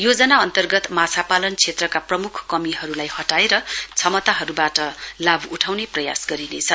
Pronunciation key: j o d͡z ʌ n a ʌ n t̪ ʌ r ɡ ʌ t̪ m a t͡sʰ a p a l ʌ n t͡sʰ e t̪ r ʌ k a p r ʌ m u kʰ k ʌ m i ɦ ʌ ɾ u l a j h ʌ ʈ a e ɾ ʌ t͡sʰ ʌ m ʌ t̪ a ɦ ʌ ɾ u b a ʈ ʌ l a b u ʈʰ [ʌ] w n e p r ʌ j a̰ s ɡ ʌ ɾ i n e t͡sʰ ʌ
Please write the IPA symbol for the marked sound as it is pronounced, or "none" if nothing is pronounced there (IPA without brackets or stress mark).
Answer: a